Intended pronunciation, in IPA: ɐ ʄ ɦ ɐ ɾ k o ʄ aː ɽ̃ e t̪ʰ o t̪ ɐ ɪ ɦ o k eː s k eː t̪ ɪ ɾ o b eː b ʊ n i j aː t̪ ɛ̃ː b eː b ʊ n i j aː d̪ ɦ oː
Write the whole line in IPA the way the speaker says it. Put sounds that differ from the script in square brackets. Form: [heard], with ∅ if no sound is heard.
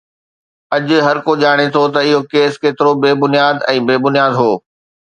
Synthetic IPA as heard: ɐ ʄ ɦ ɐ ɾ k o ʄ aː ɽ̃ e t̪ʰ o t̪ ɐ ɪ ɦ o k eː s k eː t̪ ɪ ɾ o b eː b ʊ n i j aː [d̪] ɛ̃ː b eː b ʊ n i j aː d̪ ɦ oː